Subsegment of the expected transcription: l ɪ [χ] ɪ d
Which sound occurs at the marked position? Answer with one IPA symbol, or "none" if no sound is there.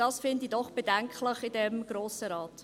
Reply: χ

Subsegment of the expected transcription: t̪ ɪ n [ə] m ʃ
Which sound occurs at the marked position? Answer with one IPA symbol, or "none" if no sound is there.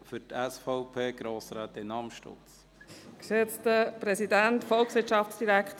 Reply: ɑ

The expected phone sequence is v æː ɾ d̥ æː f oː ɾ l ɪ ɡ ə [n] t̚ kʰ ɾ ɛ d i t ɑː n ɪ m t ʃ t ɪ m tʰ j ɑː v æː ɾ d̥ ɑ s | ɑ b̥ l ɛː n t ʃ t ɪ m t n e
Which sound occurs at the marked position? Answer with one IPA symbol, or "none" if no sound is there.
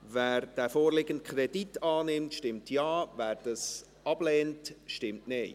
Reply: n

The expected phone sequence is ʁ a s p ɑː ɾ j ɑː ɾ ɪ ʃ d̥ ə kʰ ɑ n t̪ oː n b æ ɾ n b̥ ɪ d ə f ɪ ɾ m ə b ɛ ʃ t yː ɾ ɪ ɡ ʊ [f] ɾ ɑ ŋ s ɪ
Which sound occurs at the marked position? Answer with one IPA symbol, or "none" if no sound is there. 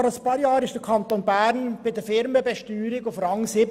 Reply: f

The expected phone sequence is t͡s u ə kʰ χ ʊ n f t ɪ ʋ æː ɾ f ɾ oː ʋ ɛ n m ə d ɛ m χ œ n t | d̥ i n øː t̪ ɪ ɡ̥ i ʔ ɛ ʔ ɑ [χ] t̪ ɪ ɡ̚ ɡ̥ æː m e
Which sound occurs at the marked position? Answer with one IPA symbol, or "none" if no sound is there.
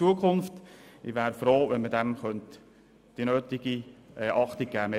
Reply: χ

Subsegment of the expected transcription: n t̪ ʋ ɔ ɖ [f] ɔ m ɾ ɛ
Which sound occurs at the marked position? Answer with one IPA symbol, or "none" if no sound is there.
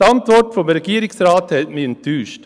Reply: f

